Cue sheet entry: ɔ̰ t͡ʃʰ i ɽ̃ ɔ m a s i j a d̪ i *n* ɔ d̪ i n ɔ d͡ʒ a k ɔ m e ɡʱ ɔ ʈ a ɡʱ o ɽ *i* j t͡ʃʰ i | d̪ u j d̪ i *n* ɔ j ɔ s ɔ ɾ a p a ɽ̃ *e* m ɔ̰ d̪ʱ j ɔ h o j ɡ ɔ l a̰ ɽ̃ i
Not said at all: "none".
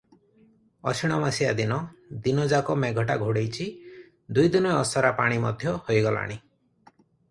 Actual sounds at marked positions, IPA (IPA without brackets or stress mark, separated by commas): n, e, n, i